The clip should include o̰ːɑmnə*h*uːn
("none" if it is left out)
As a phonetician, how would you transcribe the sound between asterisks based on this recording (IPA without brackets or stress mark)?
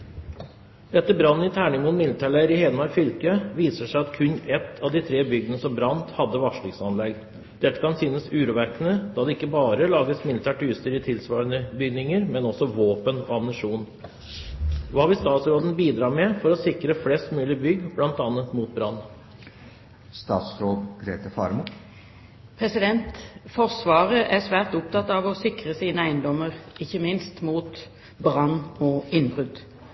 ʂ